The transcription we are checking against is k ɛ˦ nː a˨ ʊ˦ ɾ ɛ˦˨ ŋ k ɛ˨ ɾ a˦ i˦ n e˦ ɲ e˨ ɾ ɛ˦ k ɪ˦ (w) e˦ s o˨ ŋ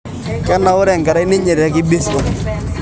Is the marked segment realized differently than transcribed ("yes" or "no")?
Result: yes